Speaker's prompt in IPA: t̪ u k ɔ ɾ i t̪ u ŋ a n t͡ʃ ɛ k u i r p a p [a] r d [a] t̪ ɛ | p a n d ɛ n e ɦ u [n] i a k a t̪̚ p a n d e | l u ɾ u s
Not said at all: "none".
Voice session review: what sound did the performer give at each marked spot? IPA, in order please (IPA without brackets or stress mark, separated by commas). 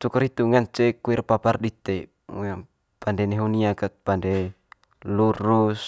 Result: a, i, n